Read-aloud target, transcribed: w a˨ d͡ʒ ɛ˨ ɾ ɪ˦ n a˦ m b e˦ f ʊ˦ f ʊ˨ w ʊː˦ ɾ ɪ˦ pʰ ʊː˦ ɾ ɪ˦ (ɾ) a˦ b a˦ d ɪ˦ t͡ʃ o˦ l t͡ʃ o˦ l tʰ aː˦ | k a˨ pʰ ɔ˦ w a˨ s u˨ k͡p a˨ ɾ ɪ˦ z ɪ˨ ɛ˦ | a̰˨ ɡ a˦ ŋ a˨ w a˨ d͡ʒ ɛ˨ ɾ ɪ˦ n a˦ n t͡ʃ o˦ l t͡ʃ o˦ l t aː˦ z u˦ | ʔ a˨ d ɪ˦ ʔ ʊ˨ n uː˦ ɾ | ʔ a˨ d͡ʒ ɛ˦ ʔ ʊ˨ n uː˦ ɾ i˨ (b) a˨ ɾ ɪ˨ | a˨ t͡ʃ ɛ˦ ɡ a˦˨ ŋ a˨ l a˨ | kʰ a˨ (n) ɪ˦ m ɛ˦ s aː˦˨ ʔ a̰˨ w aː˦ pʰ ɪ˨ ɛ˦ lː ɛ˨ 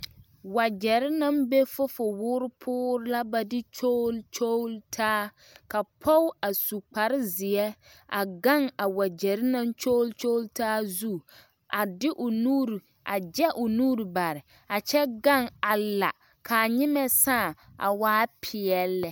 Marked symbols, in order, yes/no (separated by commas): no, yes, no